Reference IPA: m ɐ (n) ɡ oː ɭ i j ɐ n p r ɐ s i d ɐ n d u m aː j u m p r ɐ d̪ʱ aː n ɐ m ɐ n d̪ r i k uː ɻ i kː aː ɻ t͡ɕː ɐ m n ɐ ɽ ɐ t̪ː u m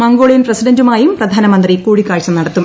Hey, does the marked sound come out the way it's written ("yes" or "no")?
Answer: no